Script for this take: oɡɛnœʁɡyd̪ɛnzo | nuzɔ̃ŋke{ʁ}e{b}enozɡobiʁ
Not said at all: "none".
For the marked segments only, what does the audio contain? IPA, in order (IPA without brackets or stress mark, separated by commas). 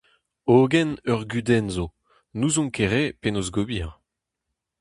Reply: ʁ, p